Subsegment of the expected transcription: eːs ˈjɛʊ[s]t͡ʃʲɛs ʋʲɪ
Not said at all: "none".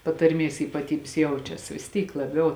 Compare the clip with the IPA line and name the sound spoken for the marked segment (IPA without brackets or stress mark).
none